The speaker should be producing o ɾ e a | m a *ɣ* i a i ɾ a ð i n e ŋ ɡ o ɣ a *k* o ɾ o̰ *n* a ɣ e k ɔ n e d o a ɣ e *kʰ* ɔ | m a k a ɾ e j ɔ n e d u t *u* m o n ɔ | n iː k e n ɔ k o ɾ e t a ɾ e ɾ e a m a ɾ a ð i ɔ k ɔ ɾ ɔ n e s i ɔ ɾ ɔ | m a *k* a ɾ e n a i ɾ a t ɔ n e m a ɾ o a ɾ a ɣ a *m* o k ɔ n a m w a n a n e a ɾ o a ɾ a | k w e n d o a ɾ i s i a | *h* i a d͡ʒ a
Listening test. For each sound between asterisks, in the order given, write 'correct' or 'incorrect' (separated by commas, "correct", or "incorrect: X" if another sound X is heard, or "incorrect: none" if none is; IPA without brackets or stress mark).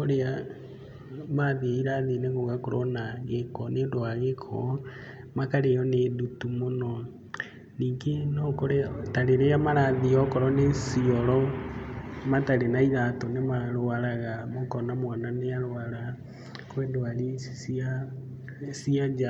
incorrect: ð, correct, correct, correct, correct, incorrect: t, correct, incorrect: s